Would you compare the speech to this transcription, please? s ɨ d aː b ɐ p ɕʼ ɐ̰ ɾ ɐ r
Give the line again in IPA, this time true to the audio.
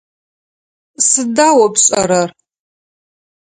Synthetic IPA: s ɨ d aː w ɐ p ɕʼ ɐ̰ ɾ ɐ r